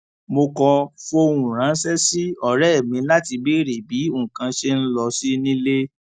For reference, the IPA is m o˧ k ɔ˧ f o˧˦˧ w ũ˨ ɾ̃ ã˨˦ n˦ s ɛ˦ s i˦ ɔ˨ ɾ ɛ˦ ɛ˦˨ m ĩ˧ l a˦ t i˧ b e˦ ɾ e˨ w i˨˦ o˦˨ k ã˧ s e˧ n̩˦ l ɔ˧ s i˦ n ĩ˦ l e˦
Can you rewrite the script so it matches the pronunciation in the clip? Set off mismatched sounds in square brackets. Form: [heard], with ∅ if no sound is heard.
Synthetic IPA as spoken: m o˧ k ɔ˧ f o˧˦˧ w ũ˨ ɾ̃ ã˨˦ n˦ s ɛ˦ s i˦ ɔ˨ ɾ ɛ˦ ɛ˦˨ m ĩ˧ l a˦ t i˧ b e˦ ɾ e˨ [b] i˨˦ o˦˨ k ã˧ [ʃ] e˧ n̩˦ l ɔ˧ s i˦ n ĩ˦ l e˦